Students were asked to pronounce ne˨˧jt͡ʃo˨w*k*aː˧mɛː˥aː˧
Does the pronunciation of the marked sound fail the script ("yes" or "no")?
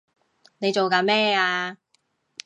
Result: no